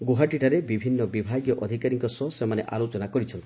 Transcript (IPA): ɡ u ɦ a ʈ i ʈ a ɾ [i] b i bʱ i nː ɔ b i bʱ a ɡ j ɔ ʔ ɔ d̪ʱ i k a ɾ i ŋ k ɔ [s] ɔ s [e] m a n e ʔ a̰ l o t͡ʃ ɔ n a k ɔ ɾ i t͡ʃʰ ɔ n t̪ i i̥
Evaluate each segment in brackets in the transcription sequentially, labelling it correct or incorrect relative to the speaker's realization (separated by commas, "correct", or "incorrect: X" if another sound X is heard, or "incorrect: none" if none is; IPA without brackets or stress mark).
incorrect: e, correct, correct